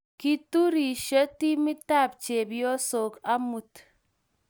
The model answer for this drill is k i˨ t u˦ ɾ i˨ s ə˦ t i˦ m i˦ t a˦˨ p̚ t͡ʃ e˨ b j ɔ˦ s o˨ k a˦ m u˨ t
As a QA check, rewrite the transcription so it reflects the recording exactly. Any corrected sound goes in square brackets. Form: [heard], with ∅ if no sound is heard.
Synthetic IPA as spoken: k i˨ t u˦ ɾ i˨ [ʃ] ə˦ t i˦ m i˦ t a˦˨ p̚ t͡ʃ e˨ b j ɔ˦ s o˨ k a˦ m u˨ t